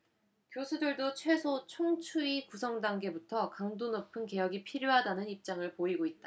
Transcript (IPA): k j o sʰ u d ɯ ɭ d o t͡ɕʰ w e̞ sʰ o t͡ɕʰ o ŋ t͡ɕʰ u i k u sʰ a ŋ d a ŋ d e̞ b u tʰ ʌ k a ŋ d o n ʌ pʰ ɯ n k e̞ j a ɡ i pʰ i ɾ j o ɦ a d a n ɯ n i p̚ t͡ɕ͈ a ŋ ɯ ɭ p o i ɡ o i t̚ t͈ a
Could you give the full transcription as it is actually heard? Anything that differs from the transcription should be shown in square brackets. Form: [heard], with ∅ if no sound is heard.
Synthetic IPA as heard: k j o sʰ u d ɯ ɭ d o t͡ɕʰ w e̞ sʰ o t͡ɕʰ o ŋ t͡ɕʰ u i k u sʰ [ʌ] ŋ d a ŋ [ɡ] e̞ b u tʰ ʌ k a ŋ d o n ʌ pʰ ɯ n k e̞ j [ʌ] ɡ i pʰ i ɾ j o ɦ a d a n ɯ n i p̚ t͡ɕ͈ a ŋ ɯ ɭ p o i ɡ o i t̚ t͈ a